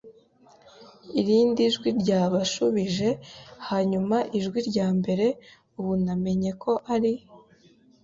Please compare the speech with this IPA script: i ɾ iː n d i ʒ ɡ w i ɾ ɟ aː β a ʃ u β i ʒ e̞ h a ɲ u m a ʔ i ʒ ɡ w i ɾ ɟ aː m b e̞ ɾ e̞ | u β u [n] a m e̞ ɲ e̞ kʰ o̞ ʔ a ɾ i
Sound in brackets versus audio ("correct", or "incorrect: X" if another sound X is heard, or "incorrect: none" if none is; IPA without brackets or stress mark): correct